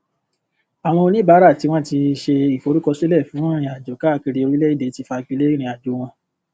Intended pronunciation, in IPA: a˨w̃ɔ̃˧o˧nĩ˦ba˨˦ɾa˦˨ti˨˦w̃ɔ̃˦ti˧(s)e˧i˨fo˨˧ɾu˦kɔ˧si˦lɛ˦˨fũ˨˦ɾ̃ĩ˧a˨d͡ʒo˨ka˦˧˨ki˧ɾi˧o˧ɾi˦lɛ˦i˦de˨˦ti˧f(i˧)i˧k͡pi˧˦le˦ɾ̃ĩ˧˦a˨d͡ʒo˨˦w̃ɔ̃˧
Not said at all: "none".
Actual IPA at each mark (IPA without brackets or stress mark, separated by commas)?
ʃ, a˧